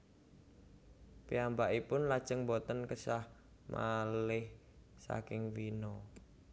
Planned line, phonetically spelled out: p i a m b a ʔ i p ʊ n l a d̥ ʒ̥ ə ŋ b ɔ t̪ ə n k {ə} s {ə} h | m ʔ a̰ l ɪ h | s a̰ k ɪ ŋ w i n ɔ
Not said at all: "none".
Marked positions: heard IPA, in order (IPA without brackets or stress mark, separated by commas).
ə, a